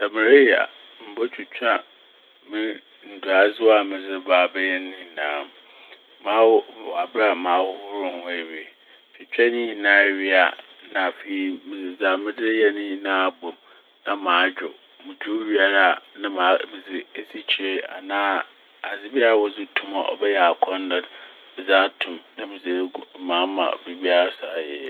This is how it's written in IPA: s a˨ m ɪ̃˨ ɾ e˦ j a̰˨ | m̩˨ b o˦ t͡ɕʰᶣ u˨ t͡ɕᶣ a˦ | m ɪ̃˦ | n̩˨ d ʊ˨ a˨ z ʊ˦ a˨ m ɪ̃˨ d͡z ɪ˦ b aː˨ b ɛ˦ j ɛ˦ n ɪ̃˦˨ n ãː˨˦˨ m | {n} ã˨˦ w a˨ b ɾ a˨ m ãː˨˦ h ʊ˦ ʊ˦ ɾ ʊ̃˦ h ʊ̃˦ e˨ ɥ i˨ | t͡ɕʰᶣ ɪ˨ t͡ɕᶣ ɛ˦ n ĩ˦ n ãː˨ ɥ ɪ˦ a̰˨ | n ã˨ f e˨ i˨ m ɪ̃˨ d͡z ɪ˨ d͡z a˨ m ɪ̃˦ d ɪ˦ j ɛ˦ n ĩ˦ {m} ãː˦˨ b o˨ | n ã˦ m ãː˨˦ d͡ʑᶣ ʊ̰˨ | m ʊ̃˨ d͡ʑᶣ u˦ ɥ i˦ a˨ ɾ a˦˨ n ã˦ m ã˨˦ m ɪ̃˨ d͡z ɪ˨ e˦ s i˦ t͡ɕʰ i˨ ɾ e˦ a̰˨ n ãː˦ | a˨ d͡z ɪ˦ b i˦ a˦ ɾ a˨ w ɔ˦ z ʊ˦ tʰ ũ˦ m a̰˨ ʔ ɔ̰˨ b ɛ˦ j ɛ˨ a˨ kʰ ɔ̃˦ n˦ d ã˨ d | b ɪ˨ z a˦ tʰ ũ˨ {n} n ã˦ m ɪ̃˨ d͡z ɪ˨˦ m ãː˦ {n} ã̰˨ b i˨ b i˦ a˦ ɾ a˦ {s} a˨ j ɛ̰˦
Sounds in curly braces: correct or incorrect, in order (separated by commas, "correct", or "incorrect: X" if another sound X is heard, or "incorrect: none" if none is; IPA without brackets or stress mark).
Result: incorrect: m, incorrect: n, incorrect: m, incorrect: m, correct